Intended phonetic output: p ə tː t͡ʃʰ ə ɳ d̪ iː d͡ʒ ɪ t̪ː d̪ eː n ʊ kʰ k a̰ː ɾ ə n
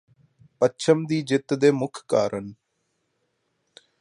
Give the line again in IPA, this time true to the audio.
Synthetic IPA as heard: p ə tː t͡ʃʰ ə m d̪ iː d͡ʒ ɪ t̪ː d̪ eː m ʊ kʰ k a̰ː ɾ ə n